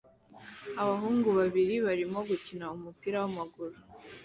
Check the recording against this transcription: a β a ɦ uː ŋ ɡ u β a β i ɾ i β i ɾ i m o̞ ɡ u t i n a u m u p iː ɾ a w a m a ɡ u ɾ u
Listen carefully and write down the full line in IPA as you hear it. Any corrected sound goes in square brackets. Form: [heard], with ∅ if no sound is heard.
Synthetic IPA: a β a ɦ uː ŋ ɡ u β a β i ɾ i β [a] ɾ i m o̞ ɡ u [c] i n a u m u p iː ɾ a w a m a ɡ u ɾ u